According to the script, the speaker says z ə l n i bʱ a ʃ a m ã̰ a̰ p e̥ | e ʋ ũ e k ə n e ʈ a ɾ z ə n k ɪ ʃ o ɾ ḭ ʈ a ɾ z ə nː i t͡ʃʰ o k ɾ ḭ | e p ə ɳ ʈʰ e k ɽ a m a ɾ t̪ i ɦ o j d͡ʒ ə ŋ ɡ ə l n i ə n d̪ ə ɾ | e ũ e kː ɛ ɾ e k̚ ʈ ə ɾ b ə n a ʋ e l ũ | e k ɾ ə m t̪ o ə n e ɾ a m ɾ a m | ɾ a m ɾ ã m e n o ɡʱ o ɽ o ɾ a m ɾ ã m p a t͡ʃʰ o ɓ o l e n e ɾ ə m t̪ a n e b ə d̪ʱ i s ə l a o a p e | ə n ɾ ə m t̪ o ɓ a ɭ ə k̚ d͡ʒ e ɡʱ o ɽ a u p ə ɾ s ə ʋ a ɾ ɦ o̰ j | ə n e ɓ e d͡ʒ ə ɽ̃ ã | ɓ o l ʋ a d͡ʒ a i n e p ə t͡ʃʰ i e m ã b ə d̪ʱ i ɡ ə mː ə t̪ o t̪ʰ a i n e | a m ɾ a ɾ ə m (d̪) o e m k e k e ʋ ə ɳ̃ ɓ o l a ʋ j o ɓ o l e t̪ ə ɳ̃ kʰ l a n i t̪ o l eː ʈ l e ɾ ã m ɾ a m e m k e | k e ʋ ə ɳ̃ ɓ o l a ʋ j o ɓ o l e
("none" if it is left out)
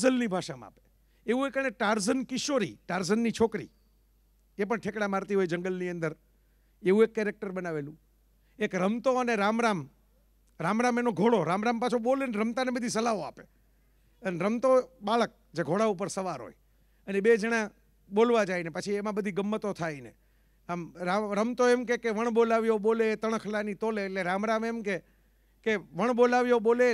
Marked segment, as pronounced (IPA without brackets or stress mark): t̪